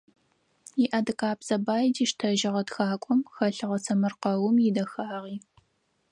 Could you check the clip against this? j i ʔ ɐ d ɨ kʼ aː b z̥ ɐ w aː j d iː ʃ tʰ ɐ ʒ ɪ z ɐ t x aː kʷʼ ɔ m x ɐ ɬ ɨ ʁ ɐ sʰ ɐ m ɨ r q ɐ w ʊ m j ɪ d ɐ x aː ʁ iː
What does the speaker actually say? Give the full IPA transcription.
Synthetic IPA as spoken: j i ʔ ɐ d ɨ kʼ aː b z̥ ɐ b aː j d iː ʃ tʰ ɐ ʒ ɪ ʁ ɐ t x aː kʷʼ ɔ m x ɐ ɬ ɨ ʁ ɐ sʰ ɐ m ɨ r q ɐ w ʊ m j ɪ d ɐ x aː ʁ iː